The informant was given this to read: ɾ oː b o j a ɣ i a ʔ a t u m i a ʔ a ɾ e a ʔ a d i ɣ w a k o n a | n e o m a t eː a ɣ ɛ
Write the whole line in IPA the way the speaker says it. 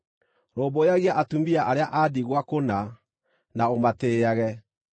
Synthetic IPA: ɾ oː b o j a ɣ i a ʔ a t u m i a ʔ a ɾ e a ʔ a d i ɣ w a k o n a | n a o m a t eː a ɣ ɛ